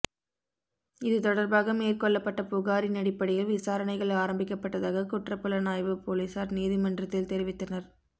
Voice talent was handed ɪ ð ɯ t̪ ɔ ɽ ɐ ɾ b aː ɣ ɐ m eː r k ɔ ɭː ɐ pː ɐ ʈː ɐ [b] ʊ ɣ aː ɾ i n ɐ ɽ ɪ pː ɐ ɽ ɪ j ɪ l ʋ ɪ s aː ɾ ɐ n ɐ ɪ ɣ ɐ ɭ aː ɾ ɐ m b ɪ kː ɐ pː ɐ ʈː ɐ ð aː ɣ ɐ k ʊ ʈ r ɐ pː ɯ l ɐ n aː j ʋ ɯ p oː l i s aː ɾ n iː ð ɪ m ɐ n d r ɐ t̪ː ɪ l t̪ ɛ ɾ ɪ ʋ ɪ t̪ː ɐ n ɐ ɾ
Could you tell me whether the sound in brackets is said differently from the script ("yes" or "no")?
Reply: yes